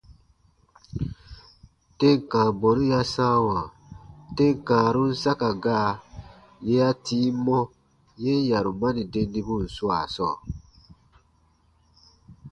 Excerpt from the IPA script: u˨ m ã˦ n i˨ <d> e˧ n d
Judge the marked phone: correct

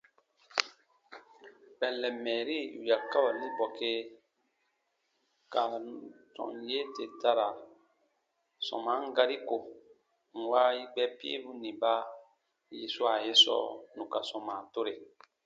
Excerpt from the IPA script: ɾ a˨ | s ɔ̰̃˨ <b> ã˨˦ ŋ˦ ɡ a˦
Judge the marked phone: incorrect: m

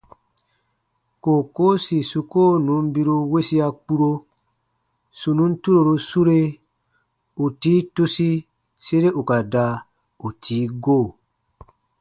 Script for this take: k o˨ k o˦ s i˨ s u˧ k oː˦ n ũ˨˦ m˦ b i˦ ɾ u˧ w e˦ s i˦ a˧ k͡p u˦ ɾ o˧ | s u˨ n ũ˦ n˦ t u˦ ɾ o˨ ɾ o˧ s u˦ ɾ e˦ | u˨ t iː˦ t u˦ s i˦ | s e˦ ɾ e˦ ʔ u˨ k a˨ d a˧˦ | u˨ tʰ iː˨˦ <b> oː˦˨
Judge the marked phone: incorrect: ɡ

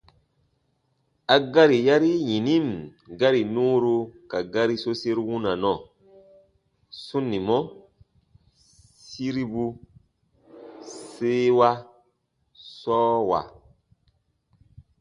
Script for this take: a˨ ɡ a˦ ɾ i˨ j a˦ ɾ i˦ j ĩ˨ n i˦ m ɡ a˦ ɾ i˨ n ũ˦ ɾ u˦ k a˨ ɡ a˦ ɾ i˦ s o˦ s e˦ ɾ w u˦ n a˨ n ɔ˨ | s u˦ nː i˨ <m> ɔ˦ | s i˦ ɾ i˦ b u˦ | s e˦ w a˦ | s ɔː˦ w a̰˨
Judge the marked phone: correct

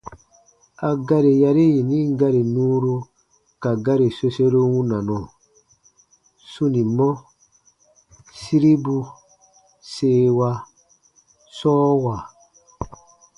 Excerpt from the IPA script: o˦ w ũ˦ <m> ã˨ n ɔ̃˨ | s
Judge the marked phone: incorrect: n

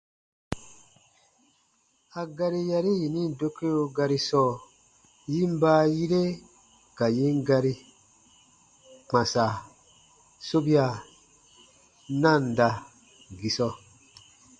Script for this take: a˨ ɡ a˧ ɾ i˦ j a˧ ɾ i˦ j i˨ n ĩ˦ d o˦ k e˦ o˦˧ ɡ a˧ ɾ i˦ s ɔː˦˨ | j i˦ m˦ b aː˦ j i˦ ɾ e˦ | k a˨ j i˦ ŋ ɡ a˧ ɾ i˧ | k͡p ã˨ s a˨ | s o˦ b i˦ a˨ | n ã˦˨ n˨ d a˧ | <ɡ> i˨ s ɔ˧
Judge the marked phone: correct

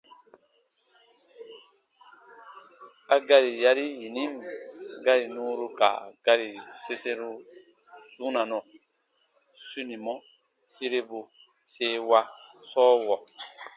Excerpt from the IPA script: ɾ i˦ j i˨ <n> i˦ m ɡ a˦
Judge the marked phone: correct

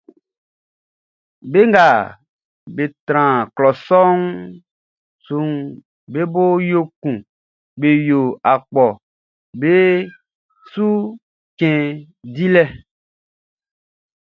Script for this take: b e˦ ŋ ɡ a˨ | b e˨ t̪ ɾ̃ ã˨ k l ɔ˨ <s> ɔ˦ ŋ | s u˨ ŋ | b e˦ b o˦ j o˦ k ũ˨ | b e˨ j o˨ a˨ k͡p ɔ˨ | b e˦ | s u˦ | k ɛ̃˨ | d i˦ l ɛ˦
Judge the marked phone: correct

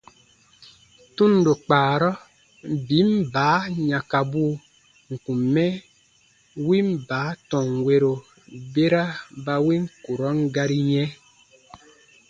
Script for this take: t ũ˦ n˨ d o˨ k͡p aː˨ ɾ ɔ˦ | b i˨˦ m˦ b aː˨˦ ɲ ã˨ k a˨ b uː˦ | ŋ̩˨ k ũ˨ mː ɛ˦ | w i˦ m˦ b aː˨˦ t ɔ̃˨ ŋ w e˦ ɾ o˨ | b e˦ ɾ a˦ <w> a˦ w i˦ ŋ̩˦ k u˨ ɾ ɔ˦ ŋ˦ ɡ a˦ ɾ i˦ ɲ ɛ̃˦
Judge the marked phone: incorrect: b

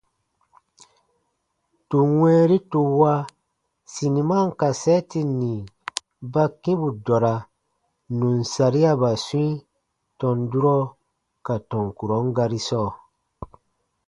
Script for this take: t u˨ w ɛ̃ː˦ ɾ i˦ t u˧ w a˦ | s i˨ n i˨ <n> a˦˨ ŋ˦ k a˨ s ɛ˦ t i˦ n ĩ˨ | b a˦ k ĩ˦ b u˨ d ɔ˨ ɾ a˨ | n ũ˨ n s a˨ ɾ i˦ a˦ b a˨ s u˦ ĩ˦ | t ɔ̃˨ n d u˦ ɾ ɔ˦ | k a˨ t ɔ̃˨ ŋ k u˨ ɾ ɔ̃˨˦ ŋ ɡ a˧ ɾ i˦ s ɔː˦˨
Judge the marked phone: incorrect: m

